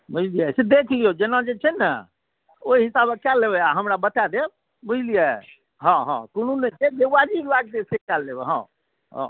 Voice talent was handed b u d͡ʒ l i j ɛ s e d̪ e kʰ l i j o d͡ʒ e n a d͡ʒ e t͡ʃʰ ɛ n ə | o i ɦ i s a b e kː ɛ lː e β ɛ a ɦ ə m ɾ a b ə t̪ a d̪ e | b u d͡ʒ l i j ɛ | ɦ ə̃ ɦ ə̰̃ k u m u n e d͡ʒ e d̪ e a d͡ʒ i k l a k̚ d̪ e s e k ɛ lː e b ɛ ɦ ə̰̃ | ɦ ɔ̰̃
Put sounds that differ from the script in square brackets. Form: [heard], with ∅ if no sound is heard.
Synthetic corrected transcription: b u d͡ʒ l i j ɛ s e d̪ e kʰ l i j o d͡ʒ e n a d͡ʒ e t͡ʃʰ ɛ n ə | o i ɦ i s a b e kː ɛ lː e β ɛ a ɦ ə m ɾ a b ə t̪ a d̪ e | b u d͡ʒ l i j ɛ | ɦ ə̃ ɦ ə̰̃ k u [n] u n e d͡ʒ e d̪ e a d͡ʒ i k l a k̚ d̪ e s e k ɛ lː e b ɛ ɦ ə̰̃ | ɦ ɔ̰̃